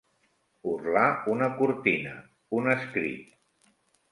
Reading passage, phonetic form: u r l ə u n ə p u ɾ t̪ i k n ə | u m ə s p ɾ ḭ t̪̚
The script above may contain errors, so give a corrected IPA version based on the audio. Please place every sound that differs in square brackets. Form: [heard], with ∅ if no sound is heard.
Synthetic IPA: u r l [a] u n ə [k] u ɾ t̪ i [∅] n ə | u [n] ə s [k] ɾ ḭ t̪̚